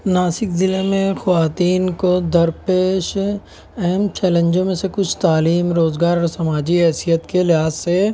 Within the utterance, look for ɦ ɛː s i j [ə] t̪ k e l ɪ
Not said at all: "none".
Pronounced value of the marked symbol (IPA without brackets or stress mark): ə